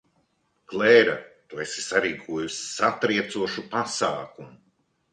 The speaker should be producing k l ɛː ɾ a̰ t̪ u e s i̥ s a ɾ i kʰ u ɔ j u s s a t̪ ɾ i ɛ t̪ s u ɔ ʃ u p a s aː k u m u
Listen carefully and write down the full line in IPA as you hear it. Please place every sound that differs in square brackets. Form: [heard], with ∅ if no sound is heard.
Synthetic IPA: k l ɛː ɾ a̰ t̪ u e s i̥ s a ɾ [iː] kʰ u ɔ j u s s a t̪ ɾ i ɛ t̪ s u ɔ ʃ u p a s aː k u m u